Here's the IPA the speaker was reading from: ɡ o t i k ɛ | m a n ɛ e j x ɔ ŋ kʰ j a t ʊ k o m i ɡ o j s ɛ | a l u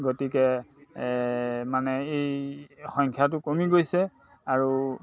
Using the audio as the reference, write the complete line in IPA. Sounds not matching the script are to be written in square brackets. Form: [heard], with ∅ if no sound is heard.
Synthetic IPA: ɡ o t i k ɛ | m a n ɛ e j x ɔ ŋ kʰ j a t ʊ k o m i ɡ o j s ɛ | a [ɹ] u